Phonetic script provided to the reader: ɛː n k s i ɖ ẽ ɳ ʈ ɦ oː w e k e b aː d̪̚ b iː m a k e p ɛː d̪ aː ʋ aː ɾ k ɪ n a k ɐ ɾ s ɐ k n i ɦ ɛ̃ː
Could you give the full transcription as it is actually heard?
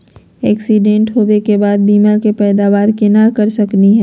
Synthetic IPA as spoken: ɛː k s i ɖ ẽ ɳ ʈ ɦ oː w e k e b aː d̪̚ b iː m a k e p ɛː d̪ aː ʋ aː ɾ k ɪ n a k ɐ ɾ s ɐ k n i ɦ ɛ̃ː